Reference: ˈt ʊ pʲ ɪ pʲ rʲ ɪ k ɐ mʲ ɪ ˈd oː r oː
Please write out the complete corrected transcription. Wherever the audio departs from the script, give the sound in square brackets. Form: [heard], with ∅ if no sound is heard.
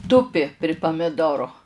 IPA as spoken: ˈt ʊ pʲ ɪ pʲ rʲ ɪ [p] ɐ mʲ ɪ ˈd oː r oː